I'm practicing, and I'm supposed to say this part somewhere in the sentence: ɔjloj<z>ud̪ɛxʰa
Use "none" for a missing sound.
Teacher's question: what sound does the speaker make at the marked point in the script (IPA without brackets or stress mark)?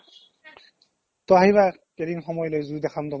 z